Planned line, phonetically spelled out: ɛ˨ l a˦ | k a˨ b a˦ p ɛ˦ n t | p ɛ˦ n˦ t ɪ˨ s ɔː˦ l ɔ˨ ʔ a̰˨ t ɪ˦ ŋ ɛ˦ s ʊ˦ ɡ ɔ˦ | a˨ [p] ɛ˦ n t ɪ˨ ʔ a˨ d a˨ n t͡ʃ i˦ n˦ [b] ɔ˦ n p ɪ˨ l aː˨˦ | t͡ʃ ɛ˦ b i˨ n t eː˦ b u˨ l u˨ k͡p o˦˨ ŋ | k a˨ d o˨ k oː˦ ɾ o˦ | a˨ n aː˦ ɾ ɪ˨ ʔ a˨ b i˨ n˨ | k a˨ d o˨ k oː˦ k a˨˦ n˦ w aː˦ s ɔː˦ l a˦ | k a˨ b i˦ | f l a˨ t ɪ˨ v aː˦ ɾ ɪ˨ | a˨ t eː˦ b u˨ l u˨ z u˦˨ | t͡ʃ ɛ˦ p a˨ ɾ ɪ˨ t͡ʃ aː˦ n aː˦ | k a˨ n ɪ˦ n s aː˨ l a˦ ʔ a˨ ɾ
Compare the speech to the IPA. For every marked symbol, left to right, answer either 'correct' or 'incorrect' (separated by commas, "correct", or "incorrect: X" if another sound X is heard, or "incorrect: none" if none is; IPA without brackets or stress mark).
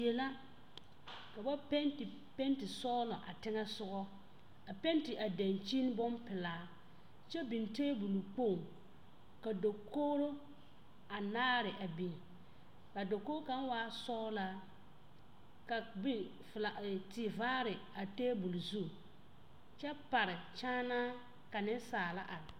correct, correct